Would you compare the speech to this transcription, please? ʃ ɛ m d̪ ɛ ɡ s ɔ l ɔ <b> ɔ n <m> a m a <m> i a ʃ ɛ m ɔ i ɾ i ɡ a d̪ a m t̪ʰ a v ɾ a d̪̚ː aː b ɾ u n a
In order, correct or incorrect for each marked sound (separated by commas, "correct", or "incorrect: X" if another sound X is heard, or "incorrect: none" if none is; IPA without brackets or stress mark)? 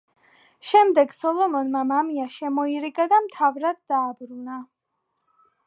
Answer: incorrect: m, correct, correct